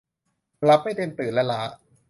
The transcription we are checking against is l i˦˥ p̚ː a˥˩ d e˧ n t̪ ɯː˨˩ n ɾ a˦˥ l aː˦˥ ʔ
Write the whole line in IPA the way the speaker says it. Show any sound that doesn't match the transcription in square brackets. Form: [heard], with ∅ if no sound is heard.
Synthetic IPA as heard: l [a˦˥] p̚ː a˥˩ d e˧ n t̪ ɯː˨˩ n [l] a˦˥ l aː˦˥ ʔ